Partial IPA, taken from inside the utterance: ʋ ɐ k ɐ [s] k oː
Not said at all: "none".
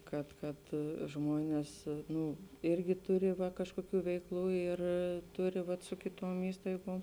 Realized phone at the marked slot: ʃ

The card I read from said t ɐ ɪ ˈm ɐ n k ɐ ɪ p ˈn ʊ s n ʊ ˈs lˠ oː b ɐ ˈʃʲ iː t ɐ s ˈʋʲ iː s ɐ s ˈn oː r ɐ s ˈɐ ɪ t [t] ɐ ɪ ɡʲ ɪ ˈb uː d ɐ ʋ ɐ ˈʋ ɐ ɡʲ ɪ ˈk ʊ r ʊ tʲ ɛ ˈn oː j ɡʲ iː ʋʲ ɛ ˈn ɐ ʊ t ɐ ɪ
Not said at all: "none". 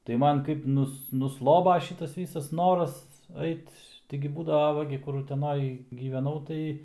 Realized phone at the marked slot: t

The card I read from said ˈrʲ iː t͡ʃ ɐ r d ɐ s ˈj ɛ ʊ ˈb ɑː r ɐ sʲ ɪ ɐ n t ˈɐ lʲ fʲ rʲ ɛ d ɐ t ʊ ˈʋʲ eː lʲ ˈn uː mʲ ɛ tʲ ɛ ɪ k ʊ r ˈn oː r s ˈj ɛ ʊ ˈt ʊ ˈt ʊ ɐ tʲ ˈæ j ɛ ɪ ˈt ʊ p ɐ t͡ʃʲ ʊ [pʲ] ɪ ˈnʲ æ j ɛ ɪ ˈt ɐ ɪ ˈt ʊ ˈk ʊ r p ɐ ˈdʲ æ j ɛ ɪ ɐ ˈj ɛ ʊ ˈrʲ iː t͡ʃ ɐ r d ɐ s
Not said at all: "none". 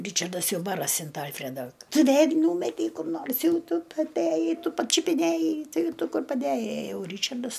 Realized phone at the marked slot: pʲ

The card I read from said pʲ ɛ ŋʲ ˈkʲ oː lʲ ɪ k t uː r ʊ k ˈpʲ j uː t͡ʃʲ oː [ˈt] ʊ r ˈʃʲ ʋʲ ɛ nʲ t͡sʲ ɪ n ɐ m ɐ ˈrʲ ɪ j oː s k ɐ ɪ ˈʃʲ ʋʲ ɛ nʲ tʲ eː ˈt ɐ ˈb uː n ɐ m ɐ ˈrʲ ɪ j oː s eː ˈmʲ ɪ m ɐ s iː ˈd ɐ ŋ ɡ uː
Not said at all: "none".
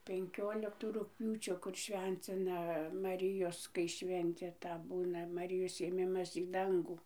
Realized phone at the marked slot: k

